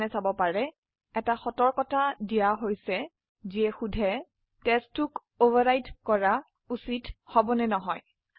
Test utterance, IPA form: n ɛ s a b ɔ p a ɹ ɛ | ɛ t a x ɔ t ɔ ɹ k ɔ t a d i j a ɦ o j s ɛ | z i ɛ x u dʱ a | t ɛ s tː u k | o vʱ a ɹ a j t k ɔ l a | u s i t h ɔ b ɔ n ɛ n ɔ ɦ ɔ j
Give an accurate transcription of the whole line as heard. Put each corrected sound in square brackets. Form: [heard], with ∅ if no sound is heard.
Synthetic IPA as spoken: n ɛ s a b ɔ p a ɹ ɛ | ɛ t a x ɔ t ɔ ɹ k ɔ t a d i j a ɦ o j s ɛ | z i ɛ x u dʱ [ɛ] | t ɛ s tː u k | o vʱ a ɹ a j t k ɔ [ɹ] a | u s i t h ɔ b ɔ n ɛ n ɔ ɦ ɔ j